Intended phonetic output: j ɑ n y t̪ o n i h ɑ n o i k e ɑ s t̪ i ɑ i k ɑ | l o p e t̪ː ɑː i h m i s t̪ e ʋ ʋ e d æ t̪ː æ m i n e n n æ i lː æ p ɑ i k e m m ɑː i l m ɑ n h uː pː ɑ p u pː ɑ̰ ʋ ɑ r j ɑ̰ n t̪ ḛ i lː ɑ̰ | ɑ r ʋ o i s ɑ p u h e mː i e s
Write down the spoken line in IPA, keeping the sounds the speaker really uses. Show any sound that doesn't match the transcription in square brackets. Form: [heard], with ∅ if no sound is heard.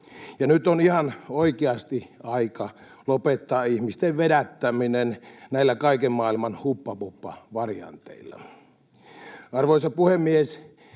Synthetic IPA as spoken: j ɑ n y t̪ o n i h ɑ n o i k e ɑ s t̪ i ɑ i k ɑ | l o p e t̪ː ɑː i h m i s t̪ e ʋ ʋ e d æ t̪ː æ m i n e n n æ i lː æ [k] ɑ i k e m m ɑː i l m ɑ n h [u] pː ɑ p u pː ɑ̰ ʋ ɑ r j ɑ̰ n t̪ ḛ i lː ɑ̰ | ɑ r ʋ o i s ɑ p u h e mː i e s